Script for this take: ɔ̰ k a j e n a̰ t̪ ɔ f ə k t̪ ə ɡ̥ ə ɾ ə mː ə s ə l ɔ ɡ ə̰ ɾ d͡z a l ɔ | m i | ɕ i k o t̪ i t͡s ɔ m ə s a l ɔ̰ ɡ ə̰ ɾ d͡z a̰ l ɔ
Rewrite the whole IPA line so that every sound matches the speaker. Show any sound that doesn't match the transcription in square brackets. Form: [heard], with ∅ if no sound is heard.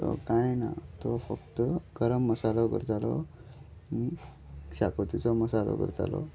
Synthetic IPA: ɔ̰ k a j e n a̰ t̪ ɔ f ə k t̪ ə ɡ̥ ə ɾ ə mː ə s [a] l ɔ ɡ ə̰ ɾ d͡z a l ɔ | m i | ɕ [a] k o t̪ i t͡s ɔ m ə s a l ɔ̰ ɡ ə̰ ɾ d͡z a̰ l ɔ